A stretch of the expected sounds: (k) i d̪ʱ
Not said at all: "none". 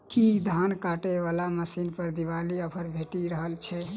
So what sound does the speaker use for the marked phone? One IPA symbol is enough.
k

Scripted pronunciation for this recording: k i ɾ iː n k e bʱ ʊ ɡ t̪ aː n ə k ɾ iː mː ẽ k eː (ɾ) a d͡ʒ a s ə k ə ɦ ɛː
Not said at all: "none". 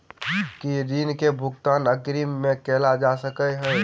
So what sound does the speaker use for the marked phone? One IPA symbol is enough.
l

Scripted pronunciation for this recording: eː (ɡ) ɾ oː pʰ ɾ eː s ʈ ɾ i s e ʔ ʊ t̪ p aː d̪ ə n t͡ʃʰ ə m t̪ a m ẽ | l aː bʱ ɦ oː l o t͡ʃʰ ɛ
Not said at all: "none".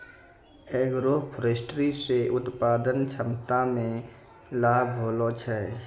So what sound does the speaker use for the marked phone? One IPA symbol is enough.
ɡ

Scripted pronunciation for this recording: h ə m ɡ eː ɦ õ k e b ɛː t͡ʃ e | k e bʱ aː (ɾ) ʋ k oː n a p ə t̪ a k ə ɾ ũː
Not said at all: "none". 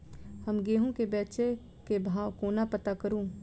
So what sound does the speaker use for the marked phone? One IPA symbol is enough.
none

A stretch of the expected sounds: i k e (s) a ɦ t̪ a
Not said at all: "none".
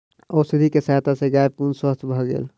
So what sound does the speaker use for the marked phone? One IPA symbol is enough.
s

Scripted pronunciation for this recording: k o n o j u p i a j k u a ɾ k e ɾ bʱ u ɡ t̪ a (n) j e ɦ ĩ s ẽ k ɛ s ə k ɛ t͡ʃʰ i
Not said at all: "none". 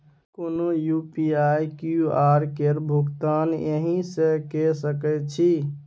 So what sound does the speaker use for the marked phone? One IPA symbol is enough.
n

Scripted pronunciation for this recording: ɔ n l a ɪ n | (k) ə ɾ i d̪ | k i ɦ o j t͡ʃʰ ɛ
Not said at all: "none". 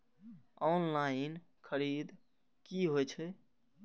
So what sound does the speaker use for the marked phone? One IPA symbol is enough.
kʰ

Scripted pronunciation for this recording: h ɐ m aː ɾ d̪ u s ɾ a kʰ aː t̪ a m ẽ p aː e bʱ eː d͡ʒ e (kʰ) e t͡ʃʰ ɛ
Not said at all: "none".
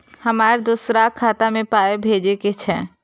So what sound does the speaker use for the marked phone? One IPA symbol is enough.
k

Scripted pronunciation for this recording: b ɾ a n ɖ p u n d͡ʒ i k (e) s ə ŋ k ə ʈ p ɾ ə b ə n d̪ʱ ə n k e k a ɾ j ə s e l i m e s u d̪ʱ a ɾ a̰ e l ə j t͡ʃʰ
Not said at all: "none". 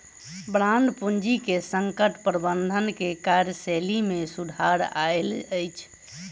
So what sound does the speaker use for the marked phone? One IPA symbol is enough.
e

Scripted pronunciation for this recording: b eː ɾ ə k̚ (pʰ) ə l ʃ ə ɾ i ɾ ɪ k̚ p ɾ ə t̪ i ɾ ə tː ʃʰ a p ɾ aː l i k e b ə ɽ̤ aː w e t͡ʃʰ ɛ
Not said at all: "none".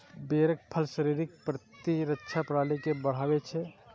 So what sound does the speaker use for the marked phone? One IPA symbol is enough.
pʰ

